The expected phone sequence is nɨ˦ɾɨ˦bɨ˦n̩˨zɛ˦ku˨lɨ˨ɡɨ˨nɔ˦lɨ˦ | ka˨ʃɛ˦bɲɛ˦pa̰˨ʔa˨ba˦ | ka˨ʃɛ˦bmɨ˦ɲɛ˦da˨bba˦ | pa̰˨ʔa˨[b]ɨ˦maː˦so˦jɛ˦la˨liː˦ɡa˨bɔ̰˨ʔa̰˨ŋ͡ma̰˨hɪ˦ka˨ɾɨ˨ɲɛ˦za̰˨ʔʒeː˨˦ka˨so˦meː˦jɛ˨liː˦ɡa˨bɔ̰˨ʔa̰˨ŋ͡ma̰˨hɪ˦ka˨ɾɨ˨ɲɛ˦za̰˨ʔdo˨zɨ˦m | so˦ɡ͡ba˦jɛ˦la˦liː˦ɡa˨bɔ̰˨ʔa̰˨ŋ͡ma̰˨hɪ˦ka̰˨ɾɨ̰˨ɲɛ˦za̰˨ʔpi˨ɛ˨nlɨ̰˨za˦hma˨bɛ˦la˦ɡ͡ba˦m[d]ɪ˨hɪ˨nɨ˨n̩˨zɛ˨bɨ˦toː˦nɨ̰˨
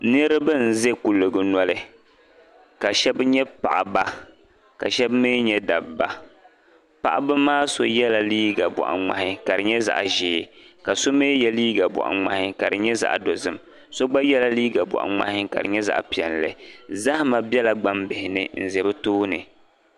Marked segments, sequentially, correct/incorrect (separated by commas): correct, incorrect